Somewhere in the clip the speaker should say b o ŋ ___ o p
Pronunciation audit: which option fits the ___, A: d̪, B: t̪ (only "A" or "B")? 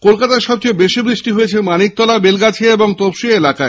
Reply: B